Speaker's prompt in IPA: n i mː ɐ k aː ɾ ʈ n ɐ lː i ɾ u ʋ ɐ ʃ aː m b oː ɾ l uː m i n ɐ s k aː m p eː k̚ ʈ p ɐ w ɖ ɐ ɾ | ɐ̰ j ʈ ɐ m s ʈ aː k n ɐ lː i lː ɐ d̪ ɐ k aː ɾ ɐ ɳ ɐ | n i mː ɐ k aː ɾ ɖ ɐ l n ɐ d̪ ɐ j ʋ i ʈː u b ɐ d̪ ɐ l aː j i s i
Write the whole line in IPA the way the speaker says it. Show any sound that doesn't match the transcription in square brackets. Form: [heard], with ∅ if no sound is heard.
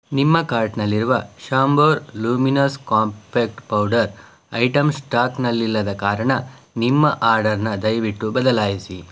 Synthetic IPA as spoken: n i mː ɐ k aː ɾ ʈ n ɐ lː i ɾ u ʋ ɐ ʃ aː m b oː ɾ l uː m i n ɐ s k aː m p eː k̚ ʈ p ɐ w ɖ ɐ ɾ | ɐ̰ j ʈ ɐ m s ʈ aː k n ɐ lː i lː ɐ d̪ ɐ k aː ɾ ɐ ɳ ɐ | n i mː ɐ [ʔ] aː ɾ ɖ ɐ [ɾ] n ɐ d̪ ɐ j ʋ i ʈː u b ɐ d̪ ɐ l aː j i s i